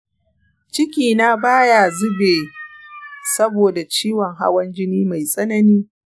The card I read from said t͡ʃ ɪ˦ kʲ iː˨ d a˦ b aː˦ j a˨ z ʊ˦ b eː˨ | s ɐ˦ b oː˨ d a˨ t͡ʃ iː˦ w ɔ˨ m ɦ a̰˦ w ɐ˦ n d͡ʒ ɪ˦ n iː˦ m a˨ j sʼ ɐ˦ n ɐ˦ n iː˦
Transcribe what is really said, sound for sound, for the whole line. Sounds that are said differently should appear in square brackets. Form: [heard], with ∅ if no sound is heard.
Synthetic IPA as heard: t͡ʃ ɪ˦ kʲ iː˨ [n] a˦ b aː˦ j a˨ z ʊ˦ b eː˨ | s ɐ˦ b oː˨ d a˨ t͡ʃ iː˦ w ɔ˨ [ŋ] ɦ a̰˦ w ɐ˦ n d͡ʒ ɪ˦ n iː˦ m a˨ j sʼ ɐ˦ n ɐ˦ n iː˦